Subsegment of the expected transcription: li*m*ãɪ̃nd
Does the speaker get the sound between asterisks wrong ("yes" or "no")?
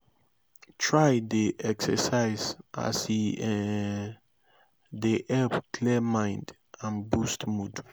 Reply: no